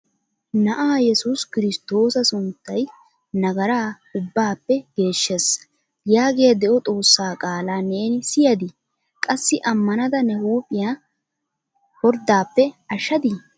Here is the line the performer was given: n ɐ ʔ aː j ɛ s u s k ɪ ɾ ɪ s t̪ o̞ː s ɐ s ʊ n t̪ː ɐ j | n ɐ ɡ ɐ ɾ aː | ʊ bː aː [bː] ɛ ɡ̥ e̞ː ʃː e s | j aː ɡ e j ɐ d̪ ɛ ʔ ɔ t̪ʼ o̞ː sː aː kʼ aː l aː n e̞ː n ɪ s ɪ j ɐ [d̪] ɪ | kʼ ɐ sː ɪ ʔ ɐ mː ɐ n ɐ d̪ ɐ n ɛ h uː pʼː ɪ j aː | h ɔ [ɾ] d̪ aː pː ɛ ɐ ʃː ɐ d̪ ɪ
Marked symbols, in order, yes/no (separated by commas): no, yes, yes